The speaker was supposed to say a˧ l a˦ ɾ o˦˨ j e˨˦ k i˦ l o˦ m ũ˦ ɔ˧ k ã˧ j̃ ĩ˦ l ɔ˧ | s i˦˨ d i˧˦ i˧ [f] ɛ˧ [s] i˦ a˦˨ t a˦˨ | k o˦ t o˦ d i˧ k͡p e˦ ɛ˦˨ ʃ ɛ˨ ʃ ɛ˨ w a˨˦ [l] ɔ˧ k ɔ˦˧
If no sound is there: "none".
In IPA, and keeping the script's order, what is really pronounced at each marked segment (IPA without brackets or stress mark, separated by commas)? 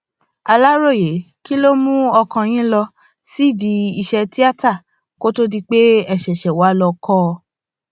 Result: ʃ, t, l